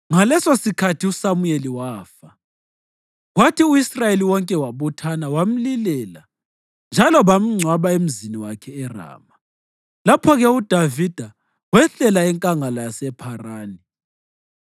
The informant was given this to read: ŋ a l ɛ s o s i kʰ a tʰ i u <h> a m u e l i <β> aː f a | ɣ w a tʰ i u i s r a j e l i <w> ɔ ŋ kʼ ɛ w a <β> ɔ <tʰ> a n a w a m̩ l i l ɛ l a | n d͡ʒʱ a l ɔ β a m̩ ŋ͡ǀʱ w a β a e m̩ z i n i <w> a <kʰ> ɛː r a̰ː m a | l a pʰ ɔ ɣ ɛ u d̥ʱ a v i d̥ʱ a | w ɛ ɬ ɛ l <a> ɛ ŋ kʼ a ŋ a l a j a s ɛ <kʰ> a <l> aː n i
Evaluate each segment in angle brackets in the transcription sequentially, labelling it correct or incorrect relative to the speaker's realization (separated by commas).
incorrect, incorrect, correct, correct, correct, correct, correct, correct, incorrect, incorrect